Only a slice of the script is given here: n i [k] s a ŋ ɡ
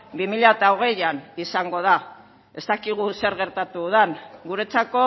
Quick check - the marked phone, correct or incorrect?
incorrect: none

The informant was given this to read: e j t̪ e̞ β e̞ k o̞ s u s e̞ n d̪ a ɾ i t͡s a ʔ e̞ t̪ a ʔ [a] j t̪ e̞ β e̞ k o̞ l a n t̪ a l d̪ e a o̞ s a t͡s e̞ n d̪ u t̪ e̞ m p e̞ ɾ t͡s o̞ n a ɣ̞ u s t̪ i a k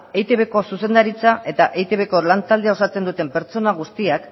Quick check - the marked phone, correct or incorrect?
incorrect: e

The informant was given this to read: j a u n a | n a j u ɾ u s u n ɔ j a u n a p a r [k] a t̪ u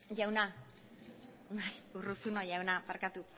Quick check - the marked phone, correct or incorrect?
correct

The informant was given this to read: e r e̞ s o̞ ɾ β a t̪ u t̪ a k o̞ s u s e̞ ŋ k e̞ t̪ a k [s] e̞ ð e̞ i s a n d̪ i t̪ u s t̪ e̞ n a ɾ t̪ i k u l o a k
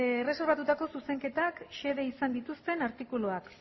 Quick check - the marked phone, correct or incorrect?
incorrect: ʃ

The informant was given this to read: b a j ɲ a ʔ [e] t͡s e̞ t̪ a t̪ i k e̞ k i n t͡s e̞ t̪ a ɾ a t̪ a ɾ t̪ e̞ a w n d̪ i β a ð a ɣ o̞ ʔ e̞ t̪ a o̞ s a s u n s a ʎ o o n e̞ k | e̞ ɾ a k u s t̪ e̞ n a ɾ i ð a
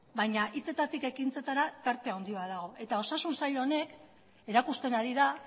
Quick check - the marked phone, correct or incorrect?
incorrect: i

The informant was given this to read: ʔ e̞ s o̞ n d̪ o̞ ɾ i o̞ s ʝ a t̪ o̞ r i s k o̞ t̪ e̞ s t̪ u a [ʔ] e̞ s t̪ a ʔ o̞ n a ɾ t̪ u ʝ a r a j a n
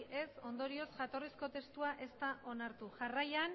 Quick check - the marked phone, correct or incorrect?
correct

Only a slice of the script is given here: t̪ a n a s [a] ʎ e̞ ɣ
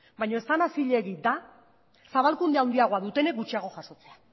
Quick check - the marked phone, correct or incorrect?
incorrect: i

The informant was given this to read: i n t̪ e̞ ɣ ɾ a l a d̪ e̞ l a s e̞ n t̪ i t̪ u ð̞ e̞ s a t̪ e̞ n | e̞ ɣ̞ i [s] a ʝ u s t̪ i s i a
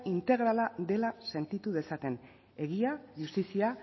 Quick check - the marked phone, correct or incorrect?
incorrect: none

